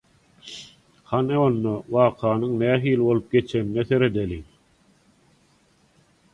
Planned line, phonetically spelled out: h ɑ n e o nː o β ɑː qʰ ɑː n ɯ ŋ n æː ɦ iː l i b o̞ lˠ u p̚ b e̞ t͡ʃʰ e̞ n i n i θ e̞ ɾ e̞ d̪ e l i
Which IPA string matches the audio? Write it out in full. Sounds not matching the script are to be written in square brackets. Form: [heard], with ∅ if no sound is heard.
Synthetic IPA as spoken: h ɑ n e o nː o [w] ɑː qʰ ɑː n ɯ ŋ n æː ɦ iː l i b o̞ lˠ u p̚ [ɡ] e̞ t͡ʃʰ e̞ n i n [e] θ e̞ ɾ e̞ d̪ e l i